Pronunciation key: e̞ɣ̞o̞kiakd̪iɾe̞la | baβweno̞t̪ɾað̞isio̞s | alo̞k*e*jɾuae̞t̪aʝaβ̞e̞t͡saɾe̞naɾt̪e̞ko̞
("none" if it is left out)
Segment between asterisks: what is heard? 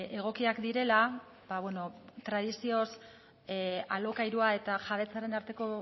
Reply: a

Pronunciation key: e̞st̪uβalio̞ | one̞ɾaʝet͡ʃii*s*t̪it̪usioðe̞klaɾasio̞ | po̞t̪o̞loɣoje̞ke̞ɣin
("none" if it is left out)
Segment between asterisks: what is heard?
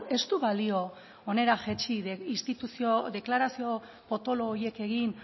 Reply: s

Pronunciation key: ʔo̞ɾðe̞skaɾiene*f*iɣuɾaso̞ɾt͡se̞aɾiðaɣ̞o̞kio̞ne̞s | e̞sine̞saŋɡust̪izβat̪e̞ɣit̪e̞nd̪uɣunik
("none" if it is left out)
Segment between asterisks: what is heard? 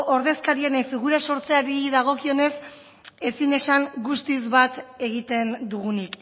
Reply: f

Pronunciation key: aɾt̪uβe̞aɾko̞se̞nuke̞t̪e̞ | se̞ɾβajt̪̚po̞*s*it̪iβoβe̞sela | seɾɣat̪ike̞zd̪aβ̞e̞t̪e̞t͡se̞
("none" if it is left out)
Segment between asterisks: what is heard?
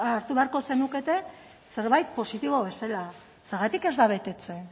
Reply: s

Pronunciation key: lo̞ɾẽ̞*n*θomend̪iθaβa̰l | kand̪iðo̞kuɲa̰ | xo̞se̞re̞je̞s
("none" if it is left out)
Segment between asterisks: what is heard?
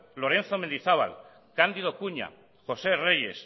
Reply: n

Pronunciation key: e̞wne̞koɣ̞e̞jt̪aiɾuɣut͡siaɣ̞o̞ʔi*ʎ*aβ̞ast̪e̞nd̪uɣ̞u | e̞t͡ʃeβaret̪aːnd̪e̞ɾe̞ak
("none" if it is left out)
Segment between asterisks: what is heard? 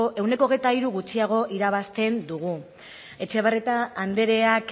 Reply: ɾ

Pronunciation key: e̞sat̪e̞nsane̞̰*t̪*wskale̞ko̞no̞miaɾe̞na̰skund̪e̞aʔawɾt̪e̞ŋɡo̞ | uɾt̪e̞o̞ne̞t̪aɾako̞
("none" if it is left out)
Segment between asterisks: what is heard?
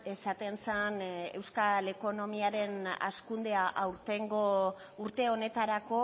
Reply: none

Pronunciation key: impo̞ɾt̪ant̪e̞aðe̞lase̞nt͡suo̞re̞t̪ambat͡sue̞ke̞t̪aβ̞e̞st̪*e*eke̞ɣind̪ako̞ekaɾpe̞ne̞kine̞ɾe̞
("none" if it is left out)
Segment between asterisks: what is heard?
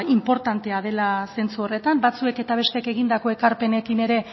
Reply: e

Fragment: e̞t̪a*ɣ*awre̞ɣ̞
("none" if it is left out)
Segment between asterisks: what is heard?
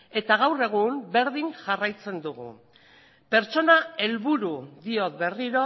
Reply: ɣ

